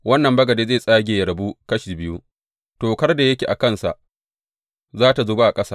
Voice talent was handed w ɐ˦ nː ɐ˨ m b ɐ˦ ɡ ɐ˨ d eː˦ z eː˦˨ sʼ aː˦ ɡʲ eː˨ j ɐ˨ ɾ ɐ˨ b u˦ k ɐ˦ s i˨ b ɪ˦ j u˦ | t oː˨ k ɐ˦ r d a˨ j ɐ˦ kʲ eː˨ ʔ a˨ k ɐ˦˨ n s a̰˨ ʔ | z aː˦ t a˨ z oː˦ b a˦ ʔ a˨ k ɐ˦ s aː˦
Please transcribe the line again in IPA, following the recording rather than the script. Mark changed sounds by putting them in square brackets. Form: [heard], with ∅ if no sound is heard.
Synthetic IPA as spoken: w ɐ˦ nː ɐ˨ m b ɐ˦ ɡ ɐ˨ d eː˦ z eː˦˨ sʼ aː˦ ɡʲ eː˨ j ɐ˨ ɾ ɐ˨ b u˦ k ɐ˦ [ʃ] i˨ b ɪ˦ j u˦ | t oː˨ k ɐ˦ r d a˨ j ɐ˦ kʲ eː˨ ʔ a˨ k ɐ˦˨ n s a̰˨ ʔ | z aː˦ t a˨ z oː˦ b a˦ ʔ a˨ [kʼ] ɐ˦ s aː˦